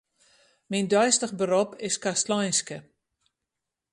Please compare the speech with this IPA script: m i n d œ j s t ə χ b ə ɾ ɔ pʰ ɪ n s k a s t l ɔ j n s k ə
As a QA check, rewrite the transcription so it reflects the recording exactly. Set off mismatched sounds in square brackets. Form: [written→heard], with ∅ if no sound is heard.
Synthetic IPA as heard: m i n d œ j s t ə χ b ə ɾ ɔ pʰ ɪ [n→∅] s k a s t l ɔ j n s k ə